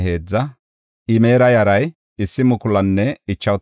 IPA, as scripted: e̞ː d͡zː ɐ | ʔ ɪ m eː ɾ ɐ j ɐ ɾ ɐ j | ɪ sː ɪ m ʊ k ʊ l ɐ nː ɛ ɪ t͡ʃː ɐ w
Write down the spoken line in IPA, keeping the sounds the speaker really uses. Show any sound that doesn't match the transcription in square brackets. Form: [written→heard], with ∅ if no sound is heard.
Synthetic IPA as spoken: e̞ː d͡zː ɐ | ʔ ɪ m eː ɾ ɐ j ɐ ɾ ɐ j | ɪ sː ɪ m ʊ k ʊ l ɐ nː ɛ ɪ t͡ʃː ɐ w